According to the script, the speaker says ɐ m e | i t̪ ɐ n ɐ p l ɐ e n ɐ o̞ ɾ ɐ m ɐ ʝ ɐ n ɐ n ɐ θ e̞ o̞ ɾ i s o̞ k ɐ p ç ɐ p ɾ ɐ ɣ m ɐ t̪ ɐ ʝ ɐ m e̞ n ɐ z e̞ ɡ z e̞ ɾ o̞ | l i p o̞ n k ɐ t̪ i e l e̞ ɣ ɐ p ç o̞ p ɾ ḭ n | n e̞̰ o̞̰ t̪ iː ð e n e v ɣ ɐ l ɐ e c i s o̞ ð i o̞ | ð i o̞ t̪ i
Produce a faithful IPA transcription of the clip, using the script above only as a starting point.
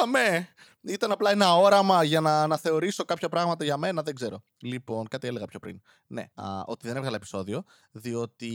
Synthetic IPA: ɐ m e | i t̪ ɐ n ɐ p l ɐ e n ɐ o̞ ɾ ɐ m ɐ ʝ ɐ n ɐ n ɐ θ e̞ o̞ ɾ i s o̞ k ɐ p ç ɐ p ɾ ɐ ɣ m ɐ t̪ ɐ ʝ ɐ m e̞ n ɐ ð e̞ ɡ z e̞ ɾ o̞ | l i p o̞ n k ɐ t̪ i e l e̞ ɣ ɐ p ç o̞ p ɾ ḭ n | n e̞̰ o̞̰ t̪ i ð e n e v ɣ ɐ l ɐ e p i s o̞ ð i o̞ | ð i o̞ t̪ i